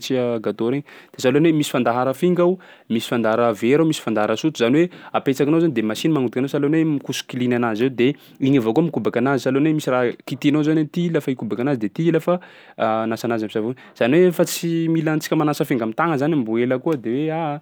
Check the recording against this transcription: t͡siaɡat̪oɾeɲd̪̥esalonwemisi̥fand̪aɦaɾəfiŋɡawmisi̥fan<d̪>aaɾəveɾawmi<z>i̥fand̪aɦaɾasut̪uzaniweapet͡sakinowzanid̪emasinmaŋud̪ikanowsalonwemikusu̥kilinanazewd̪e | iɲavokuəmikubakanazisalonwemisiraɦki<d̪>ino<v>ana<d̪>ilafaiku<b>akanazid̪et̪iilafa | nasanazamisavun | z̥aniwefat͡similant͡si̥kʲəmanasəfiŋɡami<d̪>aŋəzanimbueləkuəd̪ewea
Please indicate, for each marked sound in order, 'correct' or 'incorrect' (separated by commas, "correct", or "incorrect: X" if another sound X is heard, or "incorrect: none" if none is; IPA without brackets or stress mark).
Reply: correct, incorrect: s, incorrect: t̪, incorrect: z, incorrect: t̪, correct, incorrect: t̪